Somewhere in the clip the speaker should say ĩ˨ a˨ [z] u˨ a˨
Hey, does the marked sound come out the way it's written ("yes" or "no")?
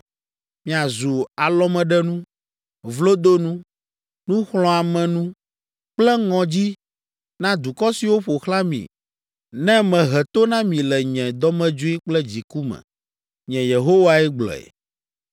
yes